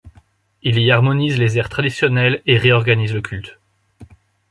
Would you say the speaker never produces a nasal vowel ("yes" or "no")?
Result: yes